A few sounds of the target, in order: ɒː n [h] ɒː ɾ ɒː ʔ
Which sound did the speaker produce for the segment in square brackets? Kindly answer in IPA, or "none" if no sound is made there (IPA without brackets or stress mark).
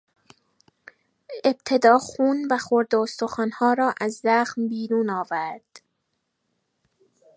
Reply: h